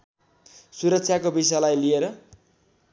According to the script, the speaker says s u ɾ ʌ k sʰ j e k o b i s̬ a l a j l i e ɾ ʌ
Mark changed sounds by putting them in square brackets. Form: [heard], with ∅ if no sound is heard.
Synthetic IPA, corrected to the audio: s u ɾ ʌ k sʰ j [a] k o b i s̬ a l a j l i e ɾ ʌ